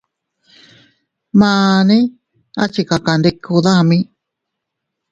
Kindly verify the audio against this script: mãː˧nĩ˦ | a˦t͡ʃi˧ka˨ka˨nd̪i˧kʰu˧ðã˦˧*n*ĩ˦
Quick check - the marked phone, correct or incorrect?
incorrect